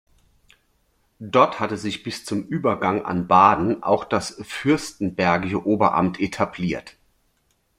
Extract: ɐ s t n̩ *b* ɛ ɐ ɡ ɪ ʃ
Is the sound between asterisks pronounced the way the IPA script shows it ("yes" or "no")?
yes